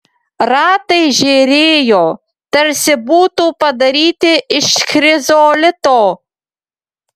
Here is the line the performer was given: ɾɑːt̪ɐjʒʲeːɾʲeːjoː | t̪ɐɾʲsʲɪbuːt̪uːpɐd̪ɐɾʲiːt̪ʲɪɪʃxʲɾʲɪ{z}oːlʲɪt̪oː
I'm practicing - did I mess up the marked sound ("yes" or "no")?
no